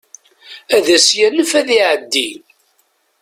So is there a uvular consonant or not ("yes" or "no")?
no